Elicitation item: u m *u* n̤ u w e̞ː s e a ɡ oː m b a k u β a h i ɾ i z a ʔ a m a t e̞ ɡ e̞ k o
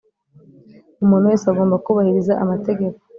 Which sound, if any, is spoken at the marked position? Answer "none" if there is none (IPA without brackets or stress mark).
uː